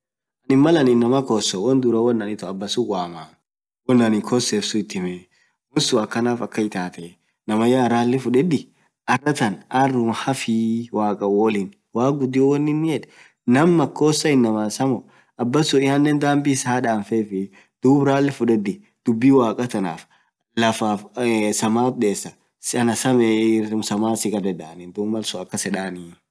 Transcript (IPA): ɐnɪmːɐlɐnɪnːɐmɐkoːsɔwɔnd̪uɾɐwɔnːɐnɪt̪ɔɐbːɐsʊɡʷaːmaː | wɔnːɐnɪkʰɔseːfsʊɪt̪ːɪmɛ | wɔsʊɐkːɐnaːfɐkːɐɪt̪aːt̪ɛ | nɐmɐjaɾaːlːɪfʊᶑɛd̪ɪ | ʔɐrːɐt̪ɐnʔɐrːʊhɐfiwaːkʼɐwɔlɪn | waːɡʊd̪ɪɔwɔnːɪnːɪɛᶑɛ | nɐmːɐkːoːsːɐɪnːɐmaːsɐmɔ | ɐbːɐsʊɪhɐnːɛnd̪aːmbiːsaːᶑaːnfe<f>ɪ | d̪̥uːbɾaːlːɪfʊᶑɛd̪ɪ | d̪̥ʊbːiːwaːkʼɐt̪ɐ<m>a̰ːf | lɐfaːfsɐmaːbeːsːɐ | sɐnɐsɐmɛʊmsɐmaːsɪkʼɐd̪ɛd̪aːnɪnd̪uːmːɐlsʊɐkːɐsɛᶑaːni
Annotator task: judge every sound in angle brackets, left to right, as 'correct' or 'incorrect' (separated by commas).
correct, incorrect